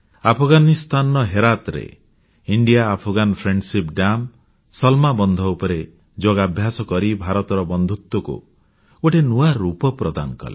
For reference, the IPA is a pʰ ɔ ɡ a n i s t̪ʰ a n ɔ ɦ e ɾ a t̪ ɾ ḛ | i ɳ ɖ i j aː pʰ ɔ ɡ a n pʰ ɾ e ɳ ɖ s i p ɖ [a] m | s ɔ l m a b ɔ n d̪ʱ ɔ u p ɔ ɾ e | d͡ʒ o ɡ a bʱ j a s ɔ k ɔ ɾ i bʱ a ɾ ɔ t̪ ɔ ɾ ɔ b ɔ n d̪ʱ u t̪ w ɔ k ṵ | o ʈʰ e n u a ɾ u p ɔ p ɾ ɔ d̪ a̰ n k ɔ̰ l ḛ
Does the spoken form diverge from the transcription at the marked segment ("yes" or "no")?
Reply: no